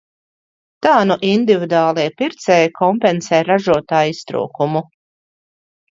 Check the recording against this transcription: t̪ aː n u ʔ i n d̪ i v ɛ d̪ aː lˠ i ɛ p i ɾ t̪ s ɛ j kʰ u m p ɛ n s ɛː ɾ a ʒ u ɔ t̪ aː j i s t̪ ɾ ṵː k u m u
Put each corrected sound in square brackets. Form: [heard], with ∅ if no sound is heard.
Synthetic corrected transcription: t̪ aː n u ʔ i n d̪ i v [i] d̪ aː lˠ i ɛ p i ɾ t̪ s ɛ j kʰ [ɔ] m p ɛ n s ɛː ɾ a ʒ u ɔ t̪ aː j i s t̪ ɾ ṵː k u m u